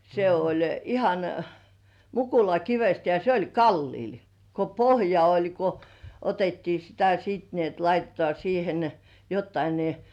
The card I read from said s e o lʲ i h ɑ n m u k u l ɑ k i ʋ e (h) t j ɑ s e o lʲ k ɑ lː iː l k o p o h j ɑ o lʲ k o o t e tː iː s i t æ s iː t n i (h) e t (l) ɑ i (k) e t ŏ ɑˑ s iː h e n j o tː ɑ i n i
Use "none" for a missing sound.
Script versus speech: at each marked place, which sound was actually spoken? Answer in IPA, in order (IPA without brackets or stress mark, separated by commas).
s, none, l, t